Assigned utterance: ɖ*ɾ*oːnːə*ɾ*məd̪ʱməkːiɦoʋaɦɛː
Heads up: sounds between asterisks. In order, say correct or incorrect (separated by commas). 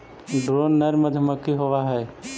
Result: correct, correct